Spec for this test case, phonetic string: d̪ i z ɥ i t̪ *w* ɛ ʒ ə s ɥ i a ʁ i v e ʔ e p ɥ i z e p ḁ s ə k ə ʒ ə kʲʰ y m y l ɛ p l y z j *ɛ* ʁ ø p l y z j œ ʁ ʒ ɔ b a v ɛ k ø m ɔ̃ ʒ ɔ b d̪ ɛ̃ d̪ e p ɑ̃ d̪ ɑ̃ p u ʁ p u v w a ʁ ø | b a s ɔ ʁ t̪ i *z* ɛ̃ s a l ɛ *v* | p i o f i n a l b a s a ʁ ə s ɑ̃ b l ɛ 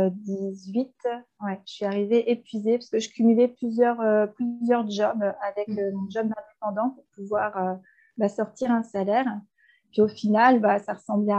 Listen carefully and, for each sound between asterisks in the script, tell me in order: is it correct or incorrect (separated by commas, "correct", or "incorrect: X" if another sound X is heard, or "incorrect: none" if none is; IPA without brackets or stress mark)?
correct, incorrect: œ, incorrect: ʁ, incorrect: ʁ